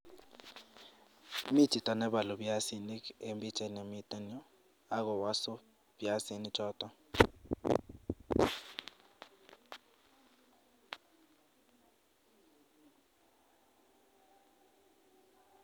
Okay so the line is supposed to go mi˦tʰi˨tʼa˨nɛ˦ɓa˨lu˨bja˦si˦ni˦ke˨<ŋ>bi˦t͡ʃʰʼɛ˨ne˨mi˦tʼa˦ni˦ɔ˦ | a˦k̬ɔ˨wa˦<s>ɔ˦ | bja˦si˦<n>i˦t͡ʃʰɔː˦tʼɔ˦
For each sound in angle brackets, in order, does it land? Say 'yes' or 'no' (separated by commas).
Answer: no, yes, yes